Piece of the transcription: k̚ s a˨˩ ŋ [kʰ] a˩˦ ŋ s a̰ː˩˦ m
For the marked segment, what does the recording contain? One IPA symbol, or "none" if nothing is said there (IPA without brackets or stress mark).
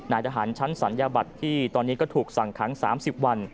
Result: kʰ